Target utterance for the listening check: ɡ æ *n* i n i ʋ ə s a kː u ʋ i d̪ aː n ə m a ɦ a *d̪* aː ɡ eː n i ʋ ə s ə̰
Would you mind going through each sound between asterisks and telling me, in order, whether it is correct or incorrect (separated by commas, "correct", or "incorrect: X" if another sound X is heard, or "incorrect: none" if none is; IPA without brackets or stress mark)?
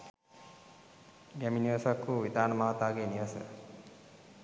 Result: incorrect: m, incorrect: t̪